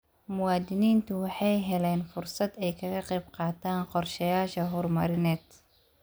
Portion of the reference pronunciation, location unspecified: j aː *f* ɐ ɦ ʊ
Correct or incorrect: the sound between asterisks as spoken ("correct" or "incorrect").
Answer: incorrect